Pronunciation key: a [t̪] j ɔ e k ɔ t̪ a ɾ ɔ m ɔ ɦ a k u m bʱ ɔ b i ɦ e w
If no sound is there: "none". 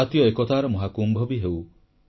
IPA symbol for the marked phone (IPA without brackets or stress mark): t̪